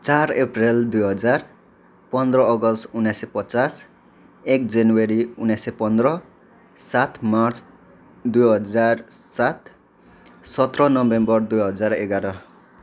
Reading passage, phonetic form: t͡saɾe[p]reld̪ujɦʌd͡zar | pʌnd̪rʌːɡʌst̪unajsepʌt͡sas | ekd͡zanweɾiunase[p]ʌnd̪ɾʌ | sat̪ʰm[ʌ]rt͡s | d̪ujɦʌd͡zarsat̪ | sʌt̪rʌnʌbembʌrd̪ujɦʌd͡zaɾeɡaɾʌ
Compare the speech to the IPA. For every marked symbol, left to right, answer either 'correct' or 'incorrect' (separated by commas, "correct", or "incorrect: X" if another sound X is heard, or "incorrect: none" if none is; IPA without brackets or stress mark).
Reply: correct, correct, incorrect: a